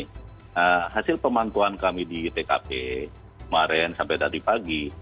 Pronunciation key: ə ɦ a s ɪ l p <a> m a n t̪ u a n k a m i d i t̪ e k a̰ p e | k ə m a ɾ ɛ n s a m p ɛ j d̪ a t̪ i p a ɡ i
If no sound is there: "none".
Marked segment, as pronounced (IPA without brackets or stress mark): ə